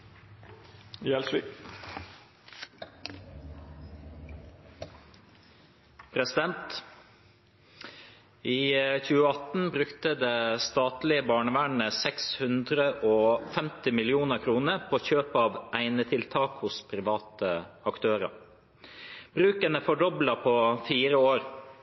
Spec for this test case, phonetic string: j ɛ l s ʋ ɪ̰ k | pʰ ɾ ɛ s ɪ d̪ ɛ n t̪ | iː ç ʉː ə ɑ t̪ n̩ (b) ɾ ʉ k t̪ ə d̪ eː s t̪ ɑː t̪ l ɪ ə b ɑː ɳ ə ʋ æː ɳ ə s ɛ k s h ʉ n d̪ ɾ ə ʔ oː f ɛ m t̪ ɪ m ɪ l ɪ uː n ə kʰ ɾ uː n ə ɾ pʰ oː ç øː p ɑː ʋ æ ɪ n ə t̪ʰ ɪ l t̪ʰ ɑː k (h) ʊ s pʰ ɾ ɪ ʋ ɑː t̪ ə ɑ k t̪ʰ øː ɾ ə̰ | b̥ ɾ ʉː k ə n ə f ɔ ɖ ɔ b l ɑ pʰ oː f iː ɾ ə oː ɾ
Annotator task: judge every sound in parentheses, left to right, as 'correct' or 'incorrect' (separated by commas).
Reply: correct, correct